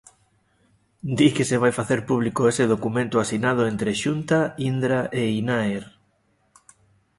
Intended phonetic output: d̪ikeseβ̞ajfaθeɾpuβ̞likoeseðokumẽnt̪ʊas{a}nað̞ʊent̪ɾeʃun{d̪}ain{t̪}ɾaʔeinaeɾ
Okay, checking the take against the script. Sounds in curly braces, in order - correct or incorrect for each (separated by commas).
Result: incorrect, incorrect, incorrect